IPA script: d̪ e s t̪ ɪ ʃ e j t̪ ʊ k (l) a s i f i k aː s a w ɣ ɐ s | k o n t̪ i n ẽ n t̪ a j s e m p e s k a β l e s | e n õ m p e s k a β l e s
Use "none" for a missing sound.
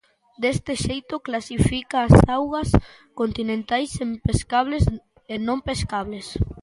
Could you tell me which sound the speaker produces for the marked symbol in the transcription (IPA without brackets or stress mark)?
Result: l